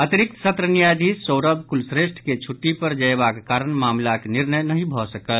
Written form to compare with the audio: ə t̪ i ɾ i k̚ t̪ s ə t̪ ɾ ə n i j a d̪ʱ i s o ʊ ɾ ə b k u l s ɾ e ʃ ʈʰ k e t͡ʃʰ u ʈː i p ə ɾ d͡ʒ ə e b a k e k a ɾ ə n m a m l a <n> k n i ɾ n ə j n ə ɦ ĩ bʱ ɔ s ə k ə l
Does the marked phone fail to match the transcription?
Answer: yes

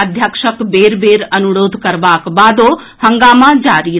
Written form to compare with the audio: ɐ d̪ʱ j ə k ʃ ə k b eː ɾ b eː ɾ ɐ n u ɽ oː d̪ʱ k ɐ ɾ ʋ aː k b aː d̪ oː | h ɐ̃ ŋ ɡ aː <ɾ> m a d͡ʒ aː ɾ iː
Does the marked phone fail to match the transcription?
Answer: yes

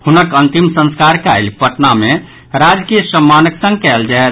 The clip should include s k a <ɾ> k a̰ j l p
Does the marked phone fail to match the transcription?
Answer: no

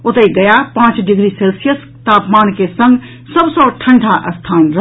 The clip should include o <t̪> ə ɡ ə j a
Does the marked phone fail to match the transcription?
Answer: no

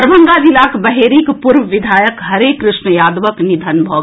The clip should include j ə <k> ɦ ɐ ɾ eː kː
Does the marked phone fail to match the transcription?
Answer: no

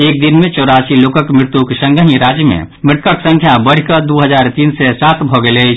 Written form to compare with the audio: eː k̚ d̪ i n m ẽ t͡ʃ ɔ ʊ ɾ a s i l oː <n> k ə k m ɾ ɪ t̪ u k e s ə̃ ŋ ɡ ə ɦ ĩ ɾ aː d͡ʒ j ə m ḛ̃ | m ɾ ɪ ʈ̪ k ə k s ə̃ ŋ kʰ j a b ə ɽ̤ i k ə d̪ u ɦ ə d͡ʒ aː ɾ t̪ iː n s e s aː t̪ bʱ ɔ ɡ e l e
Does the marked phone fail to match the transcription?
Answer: yes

